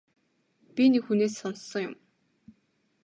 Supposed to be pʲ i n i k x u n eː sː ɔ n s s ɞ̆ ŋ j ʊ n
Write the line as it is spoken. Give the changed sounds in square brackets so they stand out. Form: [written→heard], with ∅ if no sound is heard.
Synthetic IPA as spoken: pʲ i n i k x u n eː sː ɔ n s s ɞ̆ ŋ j ʊ [n→m]